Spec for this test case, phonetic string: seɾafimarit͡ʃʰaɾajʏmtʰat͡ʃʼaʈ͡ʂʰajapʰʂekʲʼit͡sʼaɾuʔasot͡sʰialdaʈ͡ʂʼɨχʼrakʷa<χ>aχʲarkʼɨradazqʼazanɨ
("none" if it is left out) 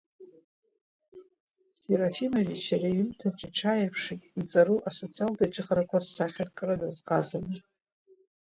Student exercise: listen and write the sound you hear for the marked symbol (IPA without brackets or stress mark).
s